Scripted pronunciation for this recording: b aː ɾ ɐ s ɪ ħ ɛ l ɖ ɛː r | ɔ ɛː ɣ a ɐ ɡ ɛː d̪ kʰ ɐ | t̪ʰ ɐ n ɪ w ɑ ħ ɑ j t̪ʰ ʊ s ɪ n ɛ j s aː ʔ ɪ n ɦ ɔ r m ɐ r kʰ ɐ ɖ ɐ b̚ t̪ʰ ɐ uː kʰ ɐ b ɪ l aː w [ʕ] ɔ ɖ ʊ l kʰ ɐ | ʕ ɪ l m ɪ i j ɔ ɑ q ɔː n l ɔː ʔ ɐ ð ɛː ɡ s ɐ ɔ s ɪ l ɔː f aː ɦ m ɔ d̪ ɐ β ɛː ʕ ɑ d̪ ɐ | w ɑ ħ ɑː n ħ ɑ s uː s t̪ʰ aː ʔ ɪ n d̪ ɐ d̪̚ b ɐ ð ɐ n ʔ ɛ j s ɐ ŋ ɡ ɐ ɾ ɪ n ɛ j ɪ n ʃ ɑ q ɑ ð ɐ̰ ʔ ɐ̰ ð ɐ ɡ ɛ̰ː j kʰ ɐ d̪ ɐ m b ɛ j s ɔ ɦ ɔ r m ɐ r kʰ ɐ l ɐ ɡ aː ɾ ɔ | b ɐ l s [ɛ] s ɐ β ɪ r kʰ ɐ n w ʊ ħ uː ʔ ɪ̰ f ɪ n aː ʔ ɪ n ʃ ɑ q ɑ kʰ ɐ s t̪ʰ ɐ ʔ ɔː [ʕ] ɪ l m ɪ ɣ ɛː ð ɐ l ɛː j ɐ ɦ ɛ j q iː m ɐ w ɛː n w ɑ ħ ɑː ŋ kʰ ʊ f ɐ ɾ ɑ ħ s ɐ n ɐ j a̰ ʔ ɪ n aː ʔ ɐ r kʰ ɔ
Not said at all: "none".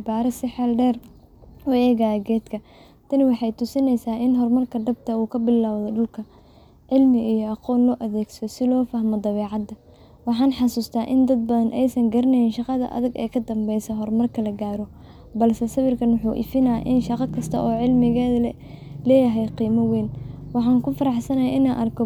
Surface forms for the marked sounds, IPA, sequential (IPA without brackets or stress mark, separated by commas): ð, ɛ, ʕ